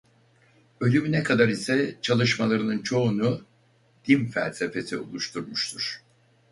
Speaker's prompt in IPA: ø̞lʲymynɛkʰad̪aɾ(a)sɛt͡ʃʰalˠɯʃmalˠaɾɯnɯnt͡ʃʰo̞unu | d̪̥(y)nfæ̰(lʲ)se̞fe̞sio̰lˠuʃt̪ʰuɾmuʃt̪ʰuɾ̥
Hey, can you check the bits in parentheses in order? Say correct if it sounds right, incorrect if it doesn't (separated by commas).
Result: incorrect, incorrect, correct